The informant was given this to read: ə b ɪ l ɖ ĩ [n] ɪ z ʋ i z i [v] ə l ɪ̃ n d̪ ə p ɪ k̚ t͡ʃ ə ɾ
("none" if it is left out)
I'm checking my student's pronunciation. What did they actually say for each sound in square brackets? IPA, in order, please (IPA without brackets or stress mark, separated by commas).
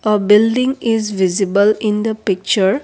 ŋ, b